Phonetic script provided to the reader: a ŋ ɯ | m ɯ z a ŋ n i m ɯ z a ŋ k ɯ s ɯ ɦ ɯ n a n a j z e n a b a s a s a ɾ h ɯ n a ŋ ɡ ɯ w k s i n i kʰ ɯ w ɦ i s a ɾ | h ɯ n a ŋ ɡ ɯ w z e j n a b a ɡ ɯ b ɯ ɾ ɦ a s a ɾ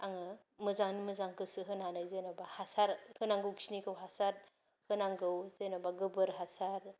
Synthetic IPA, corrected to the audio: a ŋ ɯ | m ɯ z a ŋ n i m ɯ z a ŋ k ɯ s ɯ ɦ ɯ n a n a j z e n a b a h a s a ɾ h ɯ n a ŋ ɡ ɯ w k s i n i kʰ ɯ w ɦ a s a ɾ | h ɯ n a ŋ ɡ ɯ w z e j n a b a ɡ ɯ b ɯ ɾ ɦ a s a ɾ